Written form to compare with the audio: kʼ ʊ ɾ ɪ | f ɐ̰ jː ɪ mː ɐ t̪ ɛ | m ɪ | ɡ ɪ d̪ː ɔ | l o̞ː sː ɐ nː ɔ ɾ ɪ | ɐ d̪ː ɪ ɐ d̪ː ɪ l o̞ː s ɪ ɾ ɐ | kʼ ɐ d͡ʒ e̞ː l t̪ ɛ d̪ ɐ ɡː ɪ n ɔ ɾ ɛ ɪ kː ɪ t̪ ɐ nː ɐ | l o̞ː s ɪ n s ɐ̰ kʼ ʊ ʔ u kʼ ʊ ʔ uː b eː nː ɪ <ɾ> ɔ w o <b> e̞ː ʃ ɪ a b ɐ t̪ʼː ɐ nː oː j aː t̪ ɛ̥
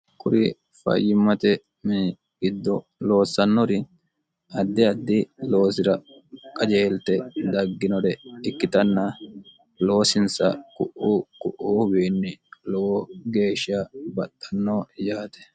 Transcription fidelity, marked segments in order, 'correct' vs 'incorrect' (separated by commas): incorrect, incorrect